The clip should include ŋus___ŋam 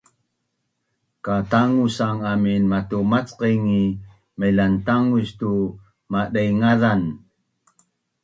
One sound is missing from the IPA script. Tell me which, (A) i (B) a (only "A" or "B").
B